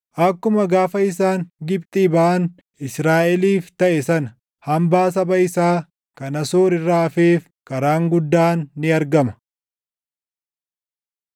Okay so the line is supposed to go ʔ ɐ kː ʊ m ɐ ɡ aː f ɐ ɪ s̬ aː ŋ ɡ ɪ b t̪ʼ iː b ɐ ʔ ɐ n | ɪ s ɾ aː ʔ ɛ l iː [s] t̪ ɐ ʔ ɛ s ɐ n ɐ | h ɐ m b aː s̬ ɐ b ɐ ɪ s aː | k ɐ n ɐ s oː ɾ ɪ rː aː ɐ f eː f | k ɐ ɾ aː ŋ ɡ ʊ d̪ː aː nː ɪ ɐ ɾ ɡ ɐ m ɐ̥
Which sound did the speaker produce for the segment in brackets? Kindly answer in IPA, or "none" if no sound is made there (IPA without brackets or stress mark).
f